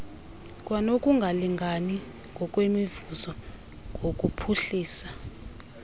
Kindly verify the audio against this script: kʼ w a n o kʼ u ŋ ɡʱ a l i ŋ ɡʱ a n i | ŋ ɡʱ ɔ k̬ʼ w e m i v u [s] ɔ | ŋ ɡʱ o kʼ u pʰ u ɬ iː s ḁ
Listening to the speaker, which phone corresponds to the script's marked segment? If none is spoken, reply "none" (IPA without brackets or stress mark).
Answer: z